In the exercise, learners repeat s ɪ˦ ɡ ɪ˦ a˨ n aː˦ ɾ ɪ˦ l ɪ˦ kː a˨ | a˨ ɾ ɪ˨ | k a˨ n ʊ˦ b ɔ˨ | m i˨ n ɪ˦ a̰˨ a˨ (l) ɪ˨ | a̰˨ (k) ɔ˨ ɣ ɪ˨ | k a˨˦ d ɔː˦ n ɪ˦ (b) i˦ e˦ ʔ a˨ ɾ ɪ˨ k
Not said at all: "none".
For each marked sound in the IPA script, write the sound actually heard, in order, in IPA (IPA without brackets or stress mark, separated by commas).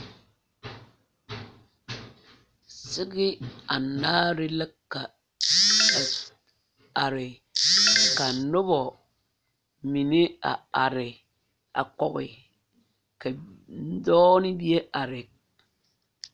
ɾ, k, b